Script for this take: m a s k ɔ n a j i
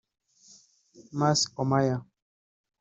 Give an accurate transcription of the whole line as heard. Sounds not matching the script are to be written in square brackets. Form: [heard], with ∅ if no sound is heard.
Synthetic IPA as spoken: m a s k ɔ [m] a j [a]